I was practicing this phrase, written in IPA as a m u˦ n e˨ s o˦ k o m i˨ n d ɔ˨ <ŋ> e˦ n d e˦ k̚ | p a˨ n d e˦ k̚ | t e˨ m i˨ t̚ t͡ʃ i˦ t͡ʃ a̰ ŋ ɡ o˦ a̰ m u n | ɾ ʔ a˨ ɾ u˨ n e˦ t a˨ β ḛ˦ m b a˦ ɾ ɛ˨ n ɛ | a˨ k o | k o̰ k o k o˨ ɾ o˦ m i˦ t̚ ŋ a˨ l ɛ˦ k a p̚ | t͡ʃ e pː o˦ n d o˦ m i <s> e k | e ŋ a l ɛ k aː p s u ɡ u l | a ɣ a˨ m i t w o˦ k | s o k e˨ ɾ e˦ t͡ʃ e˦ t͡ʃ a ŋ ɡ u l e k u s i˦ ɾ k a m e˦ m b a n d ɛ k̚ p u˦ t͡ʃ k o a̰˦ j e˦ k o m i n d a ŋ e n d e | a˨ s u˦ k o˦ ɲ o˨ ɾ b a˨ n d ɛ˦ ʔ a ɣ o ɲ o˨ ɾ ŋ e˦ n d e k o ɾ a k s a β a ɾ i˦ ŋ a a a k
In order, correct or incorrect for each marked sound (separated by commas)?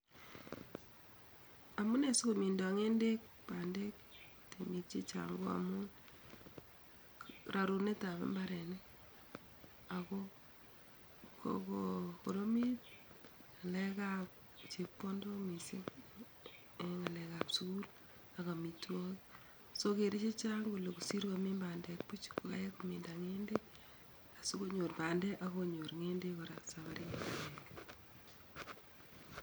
correct, correct